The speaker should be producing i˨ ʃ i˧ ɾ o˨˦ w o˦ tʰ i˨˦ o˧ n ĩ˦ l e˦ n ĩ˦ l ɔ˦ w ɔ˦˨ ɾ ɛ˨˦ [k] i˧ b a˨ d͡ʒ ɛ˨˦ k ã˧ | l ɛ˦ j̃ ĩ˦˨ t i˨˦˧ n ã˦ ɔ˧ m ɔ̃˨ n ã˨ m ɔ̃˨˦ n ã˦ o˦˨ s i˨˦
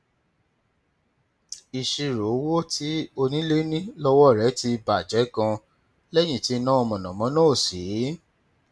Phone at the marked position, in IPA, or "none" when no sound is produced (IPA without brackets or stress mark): t